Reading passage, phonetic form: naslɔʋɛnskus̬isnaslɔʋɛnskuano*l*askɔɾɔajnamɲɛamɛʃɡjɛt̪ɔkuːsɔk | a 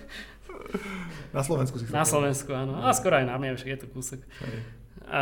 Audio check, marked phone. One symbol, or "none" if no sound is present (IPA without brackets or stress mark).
none